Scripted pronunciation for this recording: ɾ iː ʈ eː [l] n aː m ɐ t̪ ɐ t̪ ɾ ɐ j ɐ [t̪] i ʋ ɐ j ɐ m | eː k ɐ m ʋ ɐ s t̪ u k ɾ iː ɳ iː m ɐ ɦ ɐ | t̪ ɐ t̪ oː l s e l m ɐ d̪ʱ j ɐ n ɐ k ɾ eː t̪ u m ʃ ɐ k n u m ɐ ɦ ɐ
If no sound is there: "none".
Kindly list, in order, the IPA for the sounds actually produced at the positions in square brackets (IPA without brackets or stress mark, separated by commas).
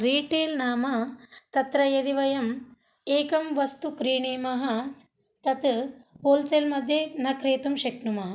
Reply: l, d̪